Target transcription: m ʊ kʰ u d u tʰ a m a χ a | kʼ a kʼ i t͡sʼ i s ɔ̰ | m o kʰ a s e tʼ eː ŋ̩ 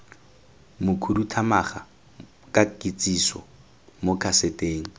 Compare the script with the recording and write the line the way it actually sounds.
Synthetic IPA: m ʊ kʰ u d u tʰ a m a χ a | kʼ a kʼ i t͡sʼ i s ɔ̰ | m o kʰ a s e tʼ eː ŋ̩

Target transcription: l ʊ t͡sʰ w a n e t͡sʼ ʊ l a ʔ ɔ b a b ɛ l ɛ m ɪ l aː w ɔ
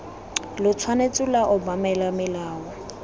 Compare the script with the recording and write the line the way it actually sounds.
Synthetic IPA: l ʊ t͡sʰ w a n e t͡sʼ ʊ l a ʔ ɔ b a m ɛ l a m ɪ l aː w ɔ

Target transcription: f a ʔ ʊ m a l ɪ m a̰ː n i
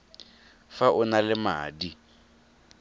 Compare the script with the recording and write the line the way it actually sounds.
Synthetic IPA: f a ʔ ʊ n a l ɪ m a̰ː d i

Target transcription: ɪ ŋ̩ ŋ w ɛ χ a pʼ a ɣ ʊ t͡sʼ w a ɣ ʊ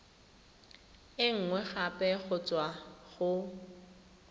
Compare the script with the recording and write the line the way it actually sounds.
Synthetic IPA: ɪ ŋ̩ ŋ w ɛ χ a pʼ ɛ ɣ ʊ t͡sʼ w a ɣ ʊ

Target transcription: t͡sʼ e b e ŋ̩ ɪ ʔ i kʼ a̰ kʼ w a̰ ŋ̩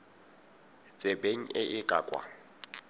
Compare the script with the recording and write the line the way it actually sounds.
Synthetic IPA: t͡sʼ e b e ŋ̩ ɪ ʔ ɪ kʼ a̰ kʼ w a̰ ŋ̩

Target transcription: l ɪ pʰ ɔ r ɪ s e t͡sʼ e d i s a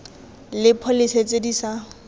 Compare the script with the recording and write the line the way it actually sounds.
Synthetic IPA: l ɪ pʰ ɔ l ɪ s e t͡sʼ e d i s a

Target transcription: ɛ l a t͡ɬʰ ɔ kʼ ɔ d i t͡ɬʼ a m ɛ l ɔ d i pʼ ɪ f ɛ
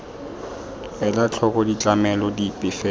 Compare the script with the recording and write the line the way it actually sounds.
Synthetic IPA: ɛ l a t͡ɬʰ ɔ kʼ ɔ d i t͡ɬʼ a m ɛ l ɔ d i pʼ ɪ f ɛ

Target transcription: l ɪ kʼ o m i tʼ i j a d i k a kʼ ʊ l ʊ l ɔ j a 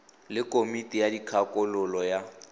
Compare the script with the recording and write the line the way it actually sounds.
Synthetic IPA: l ɪ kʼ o m i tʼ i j a d i kʰ a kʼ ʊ l ʊ l ɔ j a

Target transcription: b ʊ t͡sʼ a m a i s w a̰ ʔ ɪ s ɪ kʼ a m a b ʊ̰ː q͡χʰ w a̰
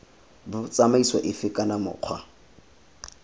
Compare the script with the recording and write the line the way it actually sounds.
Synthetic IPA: b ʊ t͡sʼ a m a i s w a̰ ʔ ɪ f ɪ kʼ a n a m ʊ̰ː q͡χʰ w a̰

